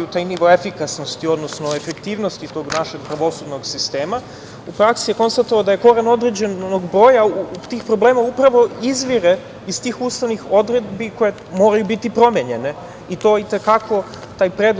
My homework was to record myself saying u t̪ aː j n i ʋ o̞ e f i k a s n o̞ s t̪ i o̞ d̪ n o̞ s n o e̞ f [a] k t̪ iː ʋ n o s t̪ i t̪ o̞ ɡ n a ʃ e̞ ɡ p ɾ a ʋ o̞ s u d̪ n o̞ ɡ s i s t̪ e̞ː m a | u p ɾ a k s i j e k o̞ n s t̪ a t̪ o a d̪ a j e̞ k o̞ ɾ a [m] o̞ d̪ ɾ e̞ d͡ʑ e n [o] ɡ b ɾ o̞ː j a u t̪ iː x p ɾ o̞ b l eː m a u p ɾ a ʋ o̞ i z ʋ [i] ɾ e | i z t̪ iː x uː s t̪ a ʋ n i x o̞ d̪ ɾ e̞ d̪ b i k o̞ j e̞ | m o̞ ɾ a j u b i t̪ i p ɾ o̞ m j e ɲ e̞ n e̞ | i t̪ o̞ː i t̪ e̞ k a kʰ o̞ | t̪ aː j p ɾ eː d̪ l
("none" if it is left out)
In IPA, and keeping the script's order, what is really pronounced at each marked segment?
e, n, o, i

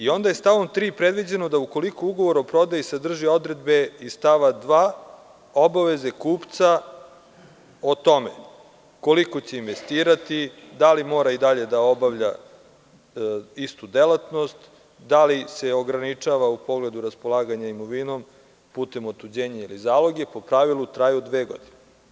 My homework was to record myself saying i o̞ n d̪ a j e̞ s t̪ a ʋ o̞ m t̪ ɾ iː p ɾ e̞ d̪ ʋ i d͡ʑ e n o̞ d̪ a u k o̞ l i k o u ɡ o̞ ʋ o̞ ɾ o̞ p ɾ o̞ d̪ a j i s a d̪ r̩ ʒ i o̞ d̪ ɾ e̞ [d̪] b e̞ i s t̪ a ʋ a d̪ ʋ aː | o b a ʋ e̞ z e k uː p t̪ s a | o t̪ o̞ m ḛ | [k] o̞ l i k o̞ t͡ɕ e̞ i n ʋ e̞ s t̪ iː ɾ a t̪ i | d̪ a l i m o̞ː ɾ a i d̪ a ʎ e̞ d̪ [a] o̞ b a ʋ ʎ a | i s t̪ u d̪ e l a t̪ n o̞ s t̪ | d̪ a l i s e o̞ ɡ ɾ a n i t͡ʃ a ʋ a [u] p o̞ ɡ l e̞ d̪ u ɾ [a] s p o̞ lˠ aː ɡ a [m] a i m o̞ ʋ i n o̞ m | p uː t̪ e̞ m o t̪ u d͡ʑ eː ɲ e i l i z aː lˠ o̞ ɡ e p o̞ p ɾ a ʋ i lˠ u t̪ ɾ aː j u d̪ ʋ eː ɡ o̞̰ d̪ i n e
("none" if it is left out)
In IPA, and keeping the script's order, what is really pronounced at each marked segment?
d̪, k, a, u, a, ɲ

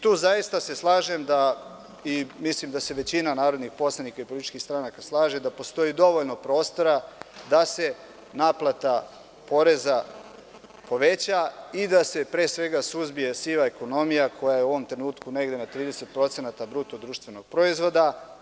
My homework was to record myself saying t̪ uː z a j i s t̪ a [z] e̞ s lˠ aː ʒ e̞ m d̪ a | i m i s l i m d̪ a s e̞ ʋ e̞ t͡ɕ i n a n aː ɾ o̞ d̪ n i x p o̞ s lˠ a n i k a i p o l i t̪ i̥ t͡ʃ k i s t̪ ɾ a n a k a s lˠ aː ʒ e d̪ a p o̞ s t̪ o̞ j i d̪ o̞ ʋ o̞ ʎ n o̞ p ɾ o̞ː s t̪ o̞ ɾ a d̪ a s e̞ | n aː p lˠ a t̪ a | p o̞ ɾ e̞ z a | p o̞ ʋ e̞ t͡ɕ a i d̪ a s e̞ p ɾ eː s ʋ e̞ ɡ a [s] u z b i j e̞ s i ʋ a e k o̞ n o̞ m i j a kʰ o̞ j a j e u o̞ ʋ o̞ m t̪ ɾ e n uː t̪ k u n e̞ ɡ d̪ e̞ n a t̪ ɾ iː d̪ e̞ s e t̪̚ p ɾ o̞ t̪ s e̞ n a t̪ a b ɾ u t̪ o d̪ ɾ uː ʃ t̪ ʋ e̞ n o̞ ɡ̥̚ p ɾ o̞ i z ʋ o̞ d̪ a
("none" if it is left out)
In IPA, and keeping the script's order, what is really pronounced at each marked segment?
s, s

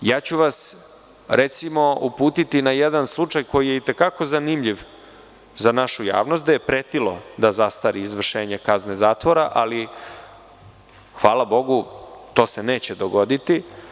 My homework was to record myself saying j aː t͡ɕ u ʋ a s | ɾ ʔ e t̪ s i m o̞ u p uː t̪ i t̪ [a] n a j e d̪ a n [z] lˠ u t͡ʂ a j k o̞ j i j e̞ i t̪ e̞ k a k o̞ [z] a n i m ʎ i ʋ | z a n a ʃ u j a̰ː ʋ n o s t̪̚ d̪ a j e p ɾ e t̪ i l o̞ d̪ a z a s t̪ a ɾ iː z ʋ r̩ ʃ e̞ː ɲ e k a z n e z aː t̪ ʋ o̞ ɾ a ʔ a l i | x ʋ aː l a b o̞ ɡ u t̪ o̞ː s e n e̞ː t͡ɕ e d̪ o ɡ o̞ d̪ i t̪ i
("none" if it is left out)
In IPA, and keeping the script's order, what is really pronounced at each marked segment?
i, s, z

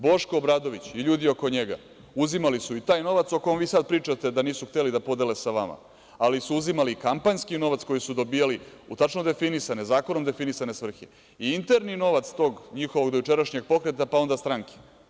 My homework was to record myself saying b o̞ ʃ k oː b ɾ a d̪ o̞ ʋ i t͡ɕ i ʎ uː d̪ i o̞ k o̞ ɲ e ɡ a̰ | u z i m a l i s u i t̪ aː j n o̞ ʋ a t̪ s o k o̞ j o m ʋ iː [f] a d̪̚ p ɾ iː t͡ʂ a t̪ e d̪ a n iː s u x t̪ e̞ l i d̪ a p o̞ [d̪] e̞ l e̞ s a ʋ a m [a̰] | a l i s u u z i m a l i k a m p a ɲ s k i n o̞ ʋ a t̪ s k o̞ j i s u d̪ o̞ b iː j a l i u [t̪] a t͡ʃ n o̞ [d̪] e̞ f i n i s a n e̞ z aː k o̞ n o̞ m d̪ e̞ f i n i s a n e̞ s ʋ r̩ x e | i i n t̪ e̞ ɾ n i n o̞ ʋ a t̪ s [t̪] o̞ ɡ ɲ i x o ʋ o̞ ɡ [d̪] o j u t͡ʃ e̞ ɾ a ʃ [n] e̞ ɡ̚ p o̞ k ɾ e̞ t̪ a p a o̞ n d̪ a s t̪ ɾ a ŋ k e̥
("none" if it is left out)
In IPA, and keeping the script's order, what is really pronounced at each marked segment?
s, d̪, a̰, t̪, d̪, t̪, d̪, ɲ

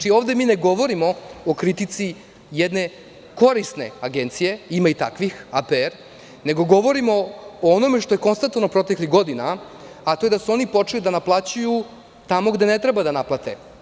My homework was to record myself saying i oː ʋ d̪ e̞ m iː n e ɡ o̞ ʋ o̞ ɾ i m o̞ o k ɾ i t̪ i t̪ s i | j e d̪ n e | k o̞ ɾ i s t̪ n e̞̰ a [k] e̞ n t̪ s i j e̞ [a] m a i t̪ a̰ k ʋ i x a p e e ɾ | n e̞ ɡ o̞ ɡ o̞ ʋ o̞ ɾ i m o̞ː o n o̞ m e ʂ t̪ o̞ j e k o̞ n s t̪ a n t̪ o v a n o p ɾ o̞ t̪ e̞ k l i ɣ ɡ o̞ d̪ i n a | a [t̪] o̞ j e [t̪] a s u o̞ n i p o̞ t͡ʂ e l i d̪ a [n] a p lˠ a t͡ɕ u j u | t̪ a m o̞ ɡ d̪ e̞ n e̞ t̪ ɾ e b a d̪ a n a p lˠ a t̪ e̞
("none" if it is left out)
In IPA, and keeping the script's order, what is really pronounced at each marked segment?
ɡ, i, t̪, d̪, n

